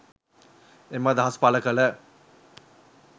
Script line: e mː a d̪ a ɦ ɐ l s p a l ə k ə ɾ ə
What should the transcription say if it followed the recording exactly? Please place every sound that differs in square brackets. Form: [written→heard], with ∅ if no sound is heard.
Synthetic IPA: e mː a d̪ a ɦ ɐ [l→∅] s p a l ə k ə [ɾ→l] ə